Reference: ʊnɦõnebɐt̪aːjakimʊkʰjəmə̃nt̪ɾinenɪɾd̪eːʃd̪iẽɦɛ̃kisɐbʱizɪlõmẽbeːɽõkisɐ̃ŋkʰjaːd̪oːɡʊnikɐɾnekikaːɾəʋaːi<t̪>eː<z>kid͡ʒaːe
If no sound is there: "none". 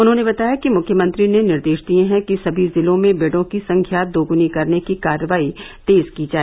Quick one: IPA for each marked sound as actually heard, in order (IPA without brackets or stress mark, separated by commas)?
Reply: t̪, z